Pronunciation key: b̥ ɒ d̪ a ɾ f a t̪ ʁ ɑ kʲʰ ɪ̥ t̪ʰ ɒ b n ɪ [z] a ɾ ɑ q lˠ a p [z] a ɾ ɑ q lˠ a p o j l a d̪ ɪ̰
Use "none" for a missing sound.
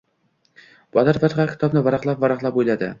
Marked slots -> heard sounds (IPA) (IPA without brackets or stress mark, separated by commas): v, v